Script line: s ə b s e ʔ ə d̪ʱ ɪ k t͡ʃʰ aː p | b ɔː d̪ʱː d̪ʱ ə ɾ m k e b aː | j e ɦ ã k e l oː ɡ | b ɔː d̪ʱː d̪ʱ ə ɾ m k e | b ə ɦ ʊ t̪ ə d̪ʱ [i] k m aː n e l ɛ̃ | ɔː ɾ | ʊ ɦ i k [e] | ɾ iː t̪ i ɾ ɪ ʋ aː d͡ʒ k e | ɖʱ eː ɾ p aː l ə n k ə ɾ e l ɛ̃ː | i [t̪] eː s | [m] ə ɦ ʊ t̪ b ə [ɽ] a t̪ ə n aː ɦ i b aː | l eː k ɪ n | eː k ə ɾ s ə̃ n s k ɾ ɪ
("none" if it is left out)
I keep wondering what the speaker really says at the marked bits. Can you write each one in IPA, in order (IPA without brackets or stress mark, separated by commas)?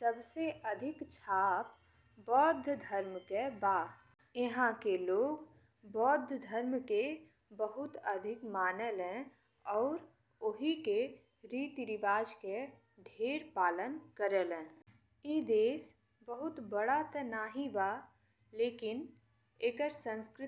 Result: ɪ, e, d̪, b, ɽ